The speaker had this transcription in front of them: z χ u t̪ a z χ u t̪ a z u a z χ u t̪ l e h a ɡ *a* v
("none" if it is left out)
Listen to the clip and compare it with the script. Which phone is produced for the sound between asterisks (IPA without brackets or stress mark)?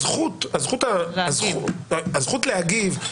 i